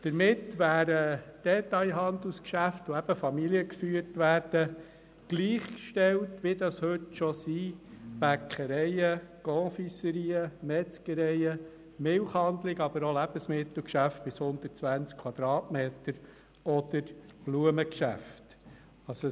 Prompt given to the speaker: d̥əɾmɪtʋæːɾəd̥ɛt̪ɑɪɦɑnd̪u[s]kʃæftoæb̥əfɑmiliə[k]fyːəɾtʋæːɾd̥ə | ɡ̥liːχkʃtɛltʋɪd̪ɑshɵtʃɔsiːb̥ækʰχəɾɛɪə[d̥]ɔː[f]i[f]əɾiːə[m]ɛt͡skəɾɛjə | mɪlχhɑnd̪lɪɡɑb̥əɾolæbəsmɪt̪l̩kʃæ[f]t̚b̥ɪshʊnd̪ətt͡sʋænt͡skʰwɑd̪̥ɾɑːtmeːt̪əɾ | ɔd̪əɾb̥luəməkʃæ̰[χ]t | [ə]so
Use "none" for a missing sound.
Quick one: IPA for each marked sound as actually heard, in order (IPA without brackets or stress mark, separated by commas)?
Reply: s, k, ɡ̥, f, s, m, f, f, ɑ